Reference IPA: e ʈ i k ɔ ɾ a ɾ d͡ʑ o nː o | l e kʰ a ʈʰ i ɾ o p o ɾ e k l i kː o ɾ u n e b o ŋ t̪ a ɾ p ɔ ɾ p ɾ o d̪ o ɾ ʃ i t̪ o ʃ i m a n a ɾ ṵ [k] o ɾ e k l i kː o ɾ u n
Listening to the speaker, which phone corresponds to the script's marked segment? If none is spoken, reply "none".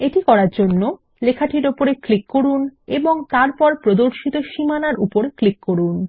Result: p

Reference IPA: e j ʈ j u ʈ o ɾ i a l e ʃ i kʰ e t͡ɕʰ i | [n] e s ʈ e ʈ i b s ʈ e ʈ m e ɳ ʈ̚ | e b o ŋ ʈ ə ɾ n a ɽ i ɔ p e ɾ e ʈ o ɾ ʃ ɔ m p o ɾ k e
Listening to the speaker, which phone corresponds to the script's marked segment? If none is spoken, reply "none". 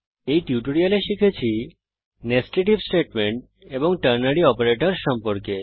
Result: n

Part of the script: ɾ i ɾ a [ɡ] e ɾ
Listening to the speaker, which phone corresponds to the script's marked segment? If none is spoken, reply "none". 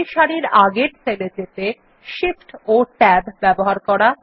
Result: ɡ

